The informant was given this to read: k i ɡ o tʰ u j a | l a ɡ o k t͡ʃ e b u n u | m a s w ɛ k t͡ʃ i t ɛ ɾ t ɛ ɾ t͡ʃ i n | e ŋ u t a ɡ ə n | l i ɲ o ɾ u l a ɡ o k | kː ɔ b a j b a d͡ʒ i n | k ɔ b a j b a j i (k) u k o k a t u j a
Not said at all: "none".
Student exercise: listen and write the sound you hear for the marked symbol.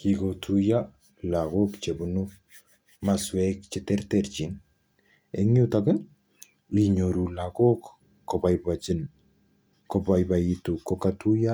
t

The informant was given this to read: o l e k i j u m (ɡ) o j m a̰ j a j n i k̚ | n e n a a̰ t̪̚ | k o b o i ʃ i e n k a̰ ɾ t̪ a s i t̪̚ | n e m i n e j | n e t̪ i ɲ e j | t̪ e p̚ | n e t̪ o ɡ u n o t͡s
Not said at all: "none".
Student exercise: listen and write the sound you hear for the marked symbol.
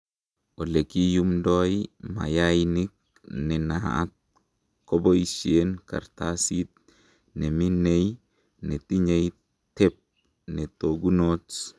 d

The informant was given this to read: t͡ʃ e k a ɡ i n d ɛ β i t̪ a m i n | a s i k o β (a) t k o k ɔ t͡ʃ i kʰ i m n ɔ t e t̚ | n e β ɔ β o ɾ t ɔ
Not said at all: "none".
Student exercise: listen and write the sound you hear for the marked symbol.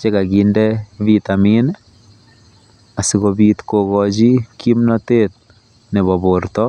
i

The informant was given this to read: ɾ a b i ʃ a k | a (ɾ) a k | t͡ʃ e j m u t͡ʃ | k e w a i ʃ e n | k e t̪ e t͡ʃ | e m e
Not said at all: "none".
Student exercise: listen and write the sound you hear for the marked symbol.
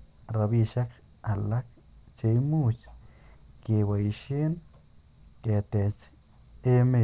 l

